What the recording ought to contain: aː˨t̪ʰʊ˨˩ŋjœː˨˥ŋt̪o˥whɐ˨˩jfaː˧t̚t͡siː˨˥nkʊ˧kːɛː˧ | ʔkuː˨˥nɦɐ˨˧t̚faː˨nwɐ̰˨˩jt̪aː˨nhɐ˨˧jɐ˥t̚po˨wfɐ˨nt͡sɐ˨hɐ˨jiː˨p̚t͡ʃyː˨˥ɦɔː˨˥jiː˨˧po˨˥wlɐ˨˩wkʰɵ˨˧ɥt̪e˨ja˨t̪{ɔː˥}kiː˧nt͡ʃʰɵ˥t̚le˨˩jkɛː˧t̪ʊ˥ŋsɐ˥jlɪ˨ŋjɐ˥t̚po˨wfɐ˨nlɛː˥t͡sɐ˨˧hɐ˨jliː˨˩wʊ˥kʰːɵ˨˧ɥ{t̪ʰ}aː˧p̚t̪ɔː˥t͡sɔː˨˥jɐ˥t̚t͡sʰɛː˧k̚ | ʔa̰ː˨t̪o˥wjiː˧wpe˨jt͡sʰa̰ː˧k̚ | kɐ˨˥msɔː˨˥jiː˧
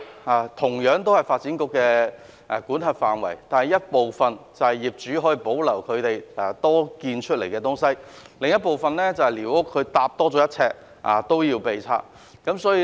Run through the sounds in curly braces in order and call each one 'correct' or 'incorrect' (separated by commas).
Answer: correct, incorrect